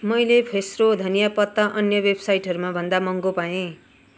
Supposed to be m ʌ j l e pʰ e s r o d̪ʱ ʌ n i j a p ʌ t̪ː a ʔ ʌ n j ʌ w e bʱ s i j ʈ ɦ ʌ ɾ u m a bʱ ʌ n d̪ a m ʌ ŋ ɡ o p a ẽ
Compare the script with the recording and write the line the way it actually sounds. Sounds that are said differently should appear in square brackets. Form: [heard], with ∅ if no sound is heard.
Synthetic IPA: m ʌ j l e pʰ e s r o d̪ʱ ʌ n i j a p ʌ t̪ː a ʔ ʌ n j ʌ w e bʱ s [a] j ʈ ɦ ʌ ɾ u m a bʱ ʌ n d̪ a m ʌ ŋ ɡ o p a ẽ